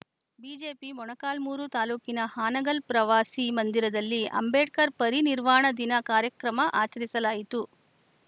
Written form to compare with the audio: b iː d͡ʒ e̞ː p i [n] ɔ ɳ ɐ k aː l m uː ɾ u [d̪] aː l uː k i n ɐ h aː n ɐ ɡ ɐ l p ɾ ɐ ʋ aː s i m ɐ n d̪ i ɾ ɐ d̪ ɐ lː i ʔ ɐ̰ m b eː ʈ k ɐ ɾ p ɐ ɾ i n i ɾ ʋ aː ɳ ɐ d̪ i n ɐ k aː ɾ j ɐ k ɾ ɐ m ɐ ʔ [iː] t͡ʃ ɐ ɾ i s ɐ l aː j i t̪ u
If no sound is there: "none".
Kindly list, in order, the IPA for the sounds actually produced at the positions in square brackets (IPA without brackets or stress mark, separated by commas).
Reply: m, t̪, aː